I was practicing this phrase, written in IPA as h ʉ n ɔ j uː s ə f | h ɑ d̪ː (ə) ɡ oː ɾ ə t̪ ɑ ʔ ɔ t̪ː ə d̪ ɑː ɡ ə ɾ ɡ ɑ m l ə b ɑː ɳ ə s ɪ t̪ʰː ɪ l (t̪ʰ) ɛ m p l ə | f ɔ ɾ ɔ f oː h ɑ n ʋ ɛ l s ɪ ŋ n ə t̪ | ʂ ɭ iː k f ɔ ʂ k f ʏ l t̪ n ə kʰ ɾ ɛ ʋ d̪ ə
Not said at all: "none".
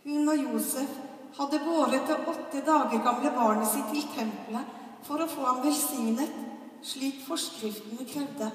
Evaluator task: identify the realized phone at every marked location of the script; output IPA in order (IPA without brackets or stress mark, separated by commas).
ə, t̪ʰ